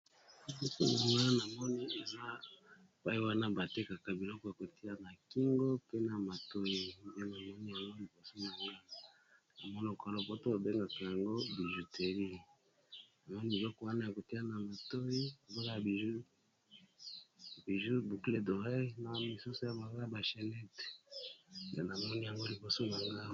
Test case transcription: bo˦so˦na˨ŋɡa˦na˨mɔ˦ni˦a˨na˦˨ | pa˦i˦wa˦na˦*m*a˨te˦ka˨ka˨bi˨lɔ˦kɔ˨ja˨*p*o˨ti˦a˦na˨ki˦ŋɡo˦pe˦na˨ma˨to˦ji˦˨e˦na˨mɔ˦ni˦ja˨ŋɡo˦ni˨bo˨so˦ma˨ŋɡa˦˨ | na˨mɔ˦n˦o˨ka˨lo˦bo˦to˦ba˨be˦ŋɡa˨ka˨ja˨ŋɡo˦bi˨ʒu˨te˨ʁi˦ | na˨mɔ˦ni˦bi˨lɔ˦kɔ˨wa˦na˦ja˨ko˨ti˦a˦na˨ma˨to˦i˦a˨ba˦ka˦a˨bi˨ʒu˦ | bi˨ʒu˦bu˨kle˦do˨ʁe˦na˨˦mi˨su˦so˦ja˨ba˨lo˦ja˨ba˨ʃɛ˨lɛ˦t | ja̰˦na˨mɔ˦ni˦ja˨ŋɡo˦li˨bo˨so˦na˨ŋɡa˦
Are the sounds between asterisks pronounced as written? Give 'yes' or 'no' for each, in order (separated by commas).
no, no